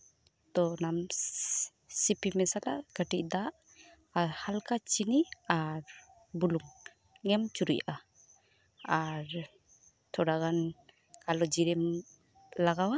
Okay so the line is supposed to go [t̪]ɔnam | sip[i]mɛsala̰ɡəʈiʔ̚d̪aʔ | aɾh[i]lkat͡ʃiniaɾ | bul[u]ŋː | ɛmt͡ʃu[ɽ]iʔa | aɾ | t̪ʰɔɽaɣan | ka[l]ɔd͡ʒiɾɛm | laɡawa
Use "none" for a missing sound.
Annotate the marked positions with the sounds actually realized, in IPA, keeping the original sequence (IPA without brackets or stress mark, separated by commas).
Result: t̪, i, a, u, ɾ, l